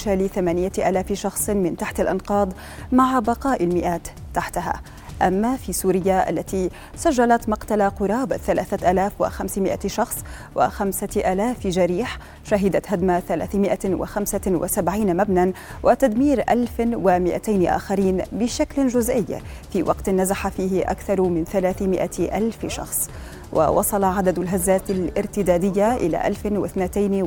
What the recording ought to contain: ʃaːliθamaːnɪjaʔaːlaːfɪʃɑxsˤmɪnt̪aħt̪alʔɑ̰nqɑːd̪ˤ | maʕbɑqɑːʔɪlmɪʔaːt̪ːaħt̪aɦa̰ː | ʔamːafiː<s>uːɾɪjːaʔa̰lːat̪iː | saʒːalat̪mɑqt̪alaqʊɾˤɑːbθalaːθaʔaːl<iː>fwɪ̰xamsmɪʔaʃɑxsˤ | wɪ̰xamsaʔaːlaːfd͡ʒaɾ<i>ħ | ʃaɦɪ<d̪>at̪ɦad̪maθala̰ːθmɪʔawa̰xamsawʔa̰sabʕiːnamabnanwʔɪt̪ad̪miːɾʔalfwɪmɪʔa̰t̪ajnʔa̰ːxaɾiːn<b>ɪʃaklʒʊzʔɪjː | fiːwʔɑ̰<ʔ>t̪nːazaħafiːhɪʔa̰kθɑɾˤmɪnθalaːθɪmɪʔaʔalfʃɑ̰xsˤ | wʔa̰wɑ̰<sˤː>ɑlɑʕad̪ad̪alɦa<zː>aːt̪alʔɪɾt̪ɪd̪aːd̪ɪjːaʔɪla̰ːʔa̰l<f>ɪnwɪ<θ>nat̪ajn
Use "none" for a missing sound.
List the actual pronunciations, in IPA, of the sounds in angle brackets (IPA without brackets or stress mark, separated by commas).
s, aː, iː, d̪, b, q, sˤ, zː, f, θ